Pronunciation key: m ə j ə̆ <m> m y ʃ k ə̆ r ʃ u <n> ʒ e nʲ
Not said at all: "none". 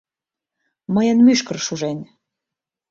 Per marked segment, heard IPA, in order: n, none

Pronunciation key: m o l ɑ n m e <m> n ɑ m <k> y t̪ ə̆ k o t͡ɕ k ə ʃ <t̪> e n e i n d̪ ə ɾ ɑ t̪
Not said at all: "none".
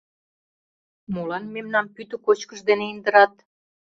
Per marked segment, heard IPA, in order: m, p, d̪

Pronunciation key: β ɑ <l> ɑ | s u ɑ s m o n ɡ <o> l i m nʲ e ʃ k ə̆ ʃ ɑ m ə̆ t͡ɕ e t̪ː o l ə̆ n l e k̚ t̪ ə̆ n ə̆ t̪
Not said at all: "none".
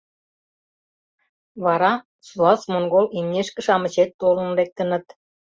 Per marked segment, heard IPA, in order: ɾ, o

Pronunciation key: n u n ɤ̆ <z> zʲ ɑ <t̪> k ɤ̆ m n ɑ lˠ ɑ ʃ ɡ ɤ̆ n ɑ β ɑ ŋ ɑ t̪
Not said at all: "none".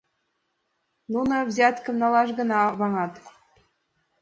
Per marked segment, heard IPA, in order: v, t̪

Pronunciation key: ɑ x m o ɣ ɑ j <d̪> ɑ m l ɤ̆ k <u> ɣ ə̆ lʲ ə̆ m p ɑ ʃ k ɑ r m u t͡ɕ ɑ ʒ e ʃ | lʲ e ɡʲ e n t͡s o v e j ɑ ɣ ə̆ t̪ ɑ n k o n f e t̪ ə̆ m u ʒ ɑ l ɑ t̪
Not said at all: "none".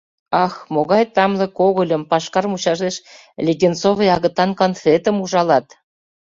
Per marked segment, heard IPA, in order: t̪, o

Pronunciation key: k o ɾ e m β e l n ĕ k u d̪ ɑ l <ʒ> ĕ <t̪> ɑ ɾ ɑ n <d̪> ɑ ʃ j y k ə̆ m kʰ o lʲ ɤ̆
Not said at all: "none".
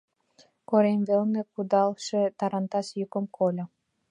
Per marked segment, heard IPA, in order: ʃ, t̪, t̪

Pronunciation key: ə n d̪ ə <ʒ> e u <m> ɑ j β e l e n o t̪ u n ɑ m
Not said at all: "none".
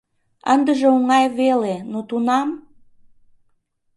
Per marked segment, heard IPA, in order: ʒ, ŋ

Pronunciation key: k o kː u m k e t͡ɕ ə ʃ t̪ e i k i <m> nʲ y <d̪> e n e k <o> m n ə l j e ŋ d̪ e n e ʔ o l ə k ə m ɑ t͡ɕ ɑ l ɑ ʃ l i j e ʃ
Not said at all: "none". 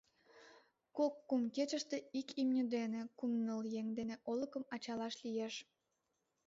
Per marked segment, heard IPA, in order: m, d̪, u

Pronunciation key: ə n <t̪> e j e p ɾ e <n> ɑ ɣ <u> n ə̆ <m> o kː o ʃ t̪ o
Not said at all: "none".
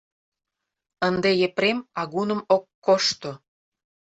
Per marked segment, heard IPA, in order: d̪, m, u, m

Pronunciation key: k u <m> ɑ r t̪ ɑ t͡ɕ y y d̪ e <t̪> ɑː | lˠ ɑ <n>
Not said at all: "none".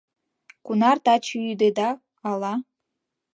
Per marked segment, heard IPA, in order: n, d̪, none

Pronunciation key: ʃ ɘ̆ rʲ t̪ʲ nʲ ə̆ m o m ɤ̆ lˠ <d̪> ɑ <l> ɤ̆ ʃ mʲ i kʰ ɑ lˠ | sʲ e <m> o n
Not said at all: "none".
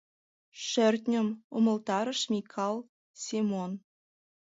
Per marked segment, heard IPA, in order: t̪, ɾ, m

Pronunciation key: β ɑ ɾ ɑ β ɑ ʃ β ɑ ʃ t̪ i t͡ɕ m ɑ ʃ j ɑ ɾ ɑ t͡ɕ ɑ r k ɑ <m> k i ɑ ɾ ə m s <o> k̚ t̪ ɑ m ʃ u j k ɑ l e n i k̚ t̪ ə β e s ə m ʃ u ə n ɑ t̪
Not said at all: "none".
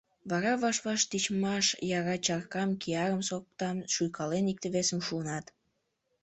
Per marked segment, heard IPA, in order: m, o

